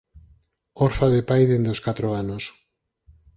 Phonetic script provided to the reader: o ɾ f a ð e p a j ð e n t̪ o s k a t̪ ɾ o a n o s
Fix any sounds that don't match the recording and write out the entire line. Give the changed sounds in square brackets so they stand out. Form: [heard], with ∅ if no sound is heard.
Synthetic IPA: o ɾ f a ð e p a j ð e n [d̪] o s k a t̪ ɾ o a n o s